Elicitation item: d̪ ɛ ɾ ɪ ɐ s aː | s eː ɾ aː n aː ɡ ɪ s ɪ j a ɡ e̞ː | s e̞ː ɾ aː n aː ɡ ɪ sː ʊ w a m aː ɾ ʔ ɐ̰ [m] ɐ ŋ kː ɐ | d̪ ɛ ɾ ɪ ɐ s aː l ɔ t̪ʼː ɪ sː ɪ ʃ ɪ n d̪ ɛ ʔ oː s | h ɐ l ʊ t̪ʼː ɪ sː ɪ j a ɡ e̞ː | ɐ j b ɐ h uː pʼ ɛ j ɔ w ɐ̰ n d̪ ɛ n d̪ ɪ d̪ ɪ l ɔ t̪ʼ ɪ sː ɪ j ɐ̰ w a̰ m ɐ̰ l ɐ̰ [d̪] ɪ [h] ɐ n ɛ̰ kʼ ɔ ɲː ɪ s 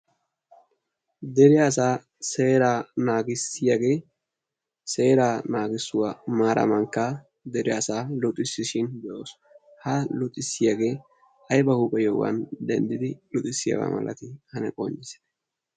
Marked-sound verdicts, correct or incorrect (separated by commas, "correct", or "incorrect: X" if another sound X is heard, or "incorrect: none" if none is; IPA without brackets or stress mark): correct, incorrect: t̪, correct